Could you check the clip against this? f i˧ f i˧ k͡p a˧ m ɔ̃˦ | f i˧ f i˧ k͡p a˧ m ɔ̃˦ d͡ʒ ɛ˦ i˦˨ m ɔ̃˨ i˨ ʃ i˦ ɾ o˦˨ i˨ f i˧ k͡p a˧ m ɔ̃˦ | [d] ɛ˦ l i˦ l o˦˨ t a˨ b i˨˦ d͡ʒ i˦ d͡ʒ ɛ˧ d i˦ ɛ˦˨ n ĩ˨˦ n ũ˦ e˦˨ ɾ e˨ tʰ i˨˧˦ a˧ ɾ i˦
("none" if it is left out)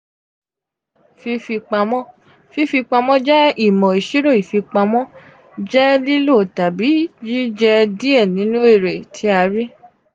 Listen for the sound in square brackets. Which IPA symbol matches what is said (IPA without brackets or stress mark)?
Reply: d͡ʒ